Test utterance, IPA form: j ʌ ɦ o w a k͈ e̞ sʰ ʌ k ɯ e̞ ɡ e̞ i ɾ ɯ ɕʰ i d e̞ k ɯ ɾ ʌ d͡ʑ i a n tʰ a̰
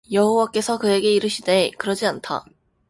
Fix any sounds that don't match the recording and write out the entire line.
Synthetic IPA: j ʌ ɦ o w a k͈ e̞ sʰ ʌ k ɯ e̞ ɡ e̞ i ɾ ɯ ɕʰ i d e̞ k ɯ ɾ ʌ d͡ʑ i a n tʰ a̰

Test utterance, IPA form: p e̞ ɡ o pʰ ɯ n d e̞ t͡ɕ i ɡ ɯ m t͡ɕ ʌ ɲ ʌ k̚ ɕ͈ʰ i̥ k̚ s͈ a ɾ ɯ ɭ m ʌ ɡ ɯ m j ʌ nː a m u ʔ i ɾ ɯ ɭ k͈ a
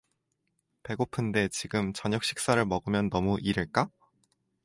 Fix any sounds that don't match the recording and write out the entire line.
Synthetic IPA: p e̞ ɡ o pʰ ɯ n d e̞ t͡ɕ i ɡ ɯ m t͡ɕ ʌ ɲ ʌ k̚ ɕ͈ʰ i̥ k̚ s͈ a ɾ ɯ ɭ m ʌ ɡ ɯ m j ʌ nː ʌ m u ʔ i ɾ ɯ ɭ k͈ a

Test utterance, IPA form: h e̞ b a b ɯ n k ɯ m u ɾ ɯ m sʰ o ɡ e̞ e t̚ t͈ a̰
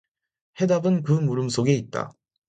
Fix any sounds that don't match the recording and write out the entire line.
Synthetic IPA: h e̞ d a b ɯ n k ɯ m u ɾ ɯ m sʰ o ɡ e̞ i t̚ t͈ a̰

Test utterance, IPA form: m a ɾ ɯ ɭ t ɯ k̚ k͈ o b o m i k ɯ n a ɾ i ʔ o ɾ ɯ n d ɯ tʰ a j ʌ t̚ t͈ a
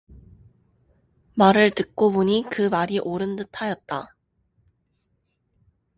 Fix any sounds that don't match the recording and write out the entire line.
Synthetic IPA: m a ɾ ɯ ɭ t ɯ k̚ k͈ o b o ɲ i k ɯ m a ɾ i ʔ o ɾ ɯ n d ɯ tʰ a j ʌ t̚ t͈ a

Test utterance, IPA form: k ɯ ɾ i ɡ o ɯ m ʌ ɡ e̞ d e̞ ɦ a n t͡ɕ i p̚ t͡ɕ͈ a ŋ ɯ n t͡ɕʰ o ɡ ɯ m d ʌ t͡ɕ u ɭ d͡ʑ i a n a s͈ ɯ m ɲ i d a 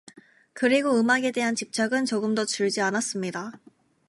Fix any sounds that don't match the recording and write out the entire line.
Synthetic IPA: k ɯ ɾ i ɡ o ɯ m a ɡ e̞ d e̞ ɦ a n t͡ɕ i p̚ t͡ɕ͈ a ɡ ɯ n t͡ɕ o ɡ ɯ m d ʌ t͡ɕ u ɭ d͡ʑ i a n a s͈ ɯ m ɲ i d a

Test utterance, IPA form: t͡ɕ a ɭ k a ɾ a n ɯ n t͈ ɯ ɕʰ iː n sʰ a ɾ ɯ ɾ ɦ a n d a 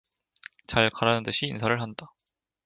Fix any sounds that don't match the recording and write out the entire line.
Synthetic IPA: t͡ɕ a ɭ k a ɾ a n ɯ n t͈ ɯ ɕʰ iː n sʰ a ɾ ɯ ɭ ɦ a n d a

